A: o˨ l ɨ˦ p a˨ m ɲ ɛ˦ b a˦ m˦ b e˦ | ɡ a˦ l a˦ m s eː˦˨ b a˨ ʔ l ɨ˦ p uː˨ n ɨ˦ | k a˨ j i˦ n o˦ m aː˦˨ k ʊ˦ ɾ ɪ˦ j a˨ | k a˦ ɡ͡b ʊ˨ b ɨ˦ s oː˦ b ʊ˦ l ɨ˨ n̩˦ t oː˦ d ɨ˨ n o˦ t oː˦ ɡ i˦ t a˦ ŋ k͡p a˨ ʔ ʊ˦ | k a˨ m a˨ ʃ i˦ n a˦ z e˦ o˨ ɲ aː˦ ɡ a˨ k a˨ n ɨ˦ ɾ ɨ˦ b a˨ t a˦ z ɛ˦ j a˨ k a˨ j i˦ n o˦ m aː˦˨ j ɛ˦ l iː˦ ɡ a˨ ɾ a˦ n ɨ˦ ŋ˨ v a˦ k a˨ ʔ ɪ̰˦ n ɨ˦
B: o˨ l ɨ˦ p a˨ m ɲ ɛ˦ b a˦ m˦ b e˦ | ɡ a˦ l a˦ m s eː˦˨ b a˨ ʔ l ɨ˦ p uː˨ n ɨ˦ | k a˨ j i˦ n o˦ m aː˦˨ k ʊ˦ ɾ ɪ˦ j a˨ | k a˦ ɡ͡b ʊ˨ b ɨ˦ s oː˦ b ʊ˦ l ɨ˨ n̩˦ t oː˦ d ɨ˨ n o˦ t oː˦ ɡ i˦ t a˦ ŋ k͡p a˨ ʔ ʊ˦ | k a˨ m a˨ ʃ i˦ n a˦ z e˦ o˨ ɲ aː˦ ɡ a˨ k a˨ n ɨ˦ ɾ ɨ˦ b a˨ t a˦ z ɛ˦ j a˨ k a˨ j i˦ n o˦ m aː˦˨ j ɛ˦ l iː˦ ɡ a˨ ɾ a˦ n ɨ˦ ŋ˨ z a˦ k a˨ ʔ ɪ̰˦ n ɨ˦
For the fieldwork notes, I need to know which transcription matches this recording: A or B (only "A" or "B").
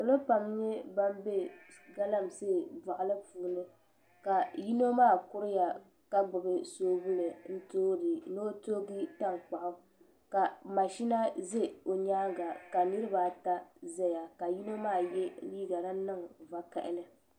A